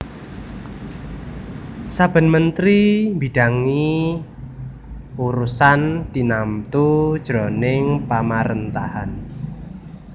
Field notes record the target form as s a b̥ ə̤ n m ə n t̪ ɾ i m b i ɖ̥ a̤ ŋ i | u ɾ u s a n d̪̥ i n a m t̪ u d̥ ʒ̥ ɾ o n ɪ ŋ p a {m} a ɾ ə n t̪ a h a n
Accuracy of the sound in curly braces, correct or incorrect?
correct